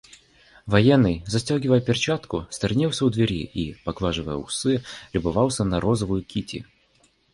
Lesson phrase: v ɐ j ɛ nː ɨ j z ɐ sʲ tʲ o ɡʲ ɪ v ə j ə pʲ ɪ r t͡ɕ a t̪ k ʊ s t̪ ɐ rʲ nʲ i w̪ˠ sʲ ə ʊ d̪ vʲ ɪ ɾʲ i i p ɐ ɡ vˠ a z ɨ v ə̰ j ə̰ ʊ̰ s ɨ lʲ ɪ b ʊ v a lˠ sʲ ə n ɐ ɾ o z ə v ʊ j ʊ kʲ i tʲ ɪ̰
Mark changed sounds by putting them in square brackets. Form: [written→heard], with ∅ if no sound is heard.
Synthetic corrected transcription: v ɐ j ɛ nː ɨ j z ɐ sʲ tʲ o ɡʲ ɪ v ə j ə pʲ ɪ r t͡ɕ a t̪ k ʊ s t̪ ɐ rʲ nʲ i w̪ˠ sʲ ə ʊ d̪ vʲ ɪ ɾʲ i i p ɐ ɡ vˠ a [z→ʐ] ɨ v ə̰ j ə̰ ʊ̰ s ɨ lʲ ɪ b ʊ v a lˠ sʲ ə n ɐ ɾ o z ə v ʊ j ʊ kʲ i tʲ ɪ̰